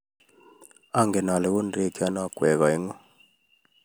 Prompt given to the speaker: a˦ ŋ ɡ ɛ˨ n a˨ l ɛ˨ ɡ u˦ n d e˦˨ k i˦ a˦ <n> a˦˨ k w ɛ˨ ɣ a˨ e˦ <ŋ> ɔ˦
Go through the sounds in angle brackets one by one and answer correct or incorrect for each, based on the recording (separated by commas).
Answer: correct, correct